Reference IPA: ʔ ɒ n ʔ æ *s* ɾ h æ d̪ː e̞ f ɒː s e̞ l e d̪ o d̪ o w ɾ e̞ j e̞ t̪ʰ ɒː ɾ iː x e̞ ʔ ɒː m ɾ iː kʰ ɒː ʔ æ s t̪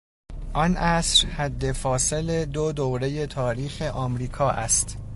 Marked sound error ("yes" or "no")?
no